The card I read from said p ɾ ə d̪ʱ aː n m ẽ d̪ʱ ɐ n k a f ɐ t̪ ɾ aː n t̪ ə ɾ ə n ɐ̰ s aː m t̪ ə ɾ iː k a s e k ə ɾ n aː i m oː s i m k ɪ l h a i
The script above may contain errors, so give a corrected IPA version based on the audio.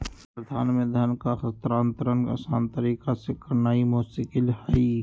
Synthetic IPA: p ɾ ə d̪ʱ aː n m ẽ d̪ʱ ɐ n k a x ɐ t̪ ɾ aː n t̪ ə ɾ ə n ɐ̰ s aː n t̪ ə ɾ iː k a s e k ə ɾ n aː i m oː s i k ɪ l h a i